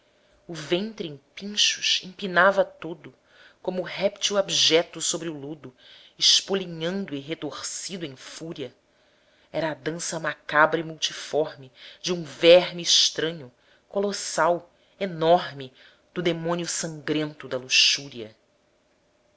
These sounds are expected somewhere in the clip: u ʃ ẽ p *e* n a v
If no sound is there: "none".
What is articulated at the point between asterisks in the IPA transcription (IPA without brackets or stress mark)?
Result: i